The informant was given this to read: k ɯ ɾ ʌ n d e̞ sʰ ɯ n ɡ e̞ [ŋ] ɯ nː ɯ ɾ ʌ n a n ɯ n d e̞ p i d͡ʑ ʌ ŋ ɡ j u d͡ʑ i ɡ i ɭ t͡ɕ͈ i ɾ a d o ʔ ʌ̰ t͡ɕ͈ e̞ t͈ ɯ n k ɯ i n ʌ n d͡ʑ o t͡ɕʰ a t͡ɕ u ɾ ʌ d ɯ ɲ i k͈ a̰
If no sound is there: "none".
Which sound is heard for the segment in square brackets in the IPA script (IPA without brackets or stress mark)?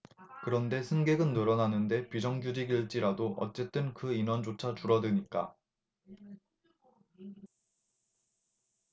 ɡ